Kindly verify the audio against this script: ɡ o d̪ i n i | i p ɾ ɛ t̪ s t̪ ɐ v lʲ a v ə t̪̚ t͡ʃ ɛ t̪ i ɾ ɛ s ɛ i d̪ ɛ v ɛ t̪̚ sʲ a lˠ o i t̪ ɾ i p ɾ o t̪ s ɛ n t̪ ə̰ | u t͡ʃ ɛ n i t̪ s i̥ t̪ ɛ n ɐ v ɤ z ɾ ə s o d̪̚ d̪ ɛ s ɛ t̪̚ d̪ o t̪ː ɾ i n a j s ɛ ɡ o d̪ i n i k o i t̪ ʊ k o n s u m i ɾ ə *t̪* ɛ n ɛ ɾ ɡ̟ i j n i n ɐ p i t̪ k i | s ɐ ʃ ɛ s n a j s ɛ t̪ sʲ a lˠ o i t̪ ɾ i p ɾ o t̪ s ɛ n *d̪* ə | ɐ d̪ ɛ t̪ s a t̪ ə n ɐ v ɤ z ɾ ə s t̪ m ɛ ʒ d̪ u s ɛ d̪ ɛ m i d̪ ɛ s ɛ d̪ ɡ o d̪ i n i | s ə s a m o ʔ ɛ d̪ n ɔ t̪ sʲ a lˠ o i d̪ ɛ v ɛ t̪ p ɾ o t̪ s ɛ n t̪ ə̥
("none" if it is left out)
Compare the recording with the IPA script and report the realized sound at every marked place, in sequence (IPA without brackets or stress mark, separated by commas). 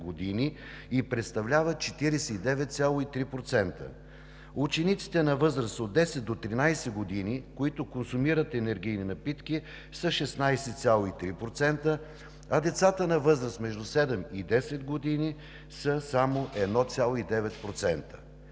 t̪, t̪